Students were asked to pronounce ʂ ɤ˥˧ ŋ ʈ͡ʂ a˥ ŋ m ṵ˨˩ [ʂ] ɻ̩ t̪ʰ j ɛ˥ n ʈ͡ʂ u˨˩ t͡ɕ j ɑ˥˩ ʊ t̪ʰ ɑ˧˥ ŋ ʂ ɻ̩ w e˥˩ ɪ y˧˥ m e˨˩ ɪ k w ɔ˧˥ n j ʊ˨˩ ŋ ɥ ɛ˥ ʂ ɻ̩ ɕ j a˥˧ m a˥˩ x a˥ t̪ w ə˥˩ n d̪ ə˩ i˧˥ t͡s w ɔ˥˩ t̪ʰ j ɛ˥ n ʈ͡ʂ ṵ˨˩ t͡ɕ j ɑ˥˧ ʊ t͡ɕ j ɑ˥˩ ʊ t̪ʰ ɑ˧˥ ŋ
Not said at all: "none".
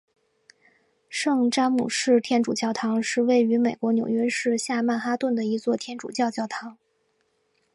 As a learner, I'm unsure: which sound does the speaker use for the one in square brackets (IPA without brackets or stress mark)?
ʂ